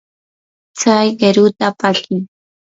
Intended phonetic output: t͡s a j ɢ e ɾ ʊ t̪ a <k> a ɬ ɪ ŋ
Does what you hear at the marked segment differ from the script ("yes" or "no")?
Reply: yes